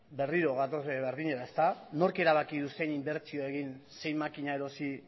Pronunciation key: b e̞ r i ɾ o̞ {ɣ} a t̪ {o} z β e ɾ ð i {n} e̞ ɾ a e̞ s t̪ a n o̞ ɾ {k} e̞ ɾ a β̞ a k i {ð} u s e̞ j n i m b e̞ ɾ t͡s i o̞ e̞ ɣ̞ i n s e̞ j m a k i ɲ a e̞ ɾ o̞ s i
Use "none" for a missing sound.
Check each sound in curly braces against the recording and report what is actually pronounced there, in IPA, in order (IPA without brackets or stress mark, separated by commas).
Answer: ɣ, o, ɲ, k, ð